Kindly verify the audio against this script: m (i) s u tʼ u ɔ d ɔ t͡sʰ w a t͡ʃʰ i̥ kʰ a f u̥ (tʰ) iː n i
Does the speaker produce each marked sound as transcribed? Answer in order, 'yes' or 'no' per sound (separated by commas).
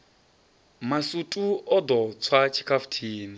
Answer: no, yes